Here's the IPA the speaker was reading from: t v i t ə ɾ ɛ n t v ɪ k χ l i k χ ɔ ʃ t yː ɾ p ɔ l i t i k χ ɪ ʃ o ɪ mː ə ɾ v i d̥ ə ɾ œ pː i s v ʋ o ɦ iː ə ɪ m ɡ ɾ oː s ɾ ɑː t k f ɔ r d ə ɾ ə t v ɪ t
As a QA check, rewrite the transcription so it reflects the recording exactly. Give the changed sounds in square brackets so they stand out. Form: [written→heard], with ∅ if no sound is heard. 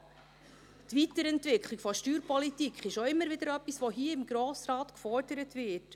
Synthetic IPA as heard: t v i t ə ɾ ɛ n t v ɪ k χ l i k [χ→f] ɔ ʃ t yː ɾ p ɔ l i t i k χ ɪ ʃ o ɪ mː ə ɾ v [i→ɪ] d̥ ə ɾ œ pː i s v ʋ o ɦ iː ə ɪ m ɡ ɾ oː s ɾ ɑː t k f ɔ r d ə ɾ ə t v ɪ t